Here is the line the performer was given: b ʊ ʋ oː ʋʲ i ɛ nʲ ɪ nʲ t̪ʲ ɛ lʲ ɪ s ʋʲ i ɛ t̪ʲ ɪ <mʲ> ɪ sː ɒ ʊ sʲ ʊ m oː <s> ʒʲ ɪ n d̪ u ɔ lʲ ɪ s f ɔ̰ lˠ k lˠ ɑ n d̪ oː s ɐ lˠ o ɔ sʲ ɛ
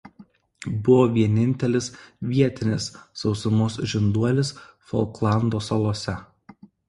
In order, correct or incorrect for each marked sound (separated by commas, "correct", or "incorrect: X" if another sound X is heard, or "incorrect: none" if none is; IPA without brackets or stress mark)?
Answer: incorrect: nʲ, correct